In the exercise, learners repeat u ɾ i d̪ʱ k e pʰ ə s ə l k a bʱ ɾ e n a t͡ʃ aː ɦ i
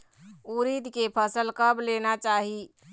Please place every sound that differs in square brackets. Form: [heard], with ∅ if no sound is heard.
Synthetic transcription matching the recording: u ɾ i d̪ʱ k e pʰ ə s ə l k [ə] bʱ [l] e n a t͡ʃ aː ɦ i

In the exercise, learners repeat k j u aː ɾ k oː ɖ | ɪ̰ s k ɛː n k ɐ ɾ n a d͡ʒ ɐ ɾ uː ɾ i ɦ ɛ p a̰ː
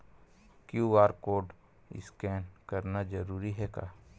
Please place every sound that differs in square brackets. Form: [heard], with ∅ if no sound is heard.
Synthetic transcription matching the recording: k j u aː ɾ k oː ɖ | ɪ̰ s k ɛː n k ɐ ɾ n a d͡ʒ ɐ ɾ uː ɾ i ɦ ɛ [k] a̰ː

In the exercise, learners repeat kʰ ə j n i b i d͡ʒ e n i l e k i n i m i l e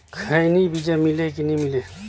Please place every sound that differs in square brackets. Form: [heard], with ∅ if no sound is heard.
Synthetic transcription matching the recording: kʰ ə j n i b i d͡ʒ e [m] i l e k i n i m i l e

